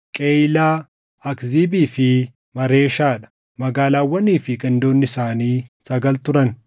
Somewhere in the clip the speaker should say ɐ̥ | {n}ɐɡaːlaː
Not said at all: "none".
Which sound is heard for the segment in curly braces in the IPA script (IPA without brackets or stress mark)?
m